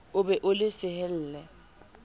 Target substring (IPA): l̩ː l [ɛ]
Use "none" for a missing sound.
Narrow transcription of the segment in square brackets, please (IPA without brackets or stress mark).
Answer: ɛ